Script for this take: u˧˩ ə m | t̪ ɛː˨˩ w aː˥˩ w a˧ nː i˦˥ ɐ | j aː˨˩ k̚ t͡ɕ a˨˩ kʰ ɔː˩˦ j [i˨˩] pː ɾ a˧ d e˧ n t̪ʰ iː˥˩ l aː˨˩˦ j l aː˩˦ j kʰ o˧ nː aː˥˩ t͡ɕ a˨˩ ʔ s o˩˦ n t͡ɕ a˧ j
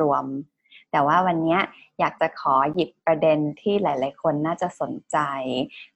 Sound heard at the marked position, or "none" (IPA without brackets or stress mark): i˨˩